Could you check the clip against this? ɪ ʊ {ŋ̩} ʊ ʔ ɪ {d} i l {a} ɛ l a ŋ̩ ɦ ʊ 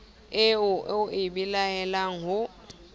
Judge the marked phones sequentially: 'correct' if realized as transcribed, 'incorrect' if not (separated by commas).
incorrect, incorrect, correct